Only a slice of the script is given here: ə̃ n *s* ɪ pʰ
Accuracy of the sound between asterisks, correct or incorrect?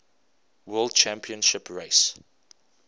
incorrect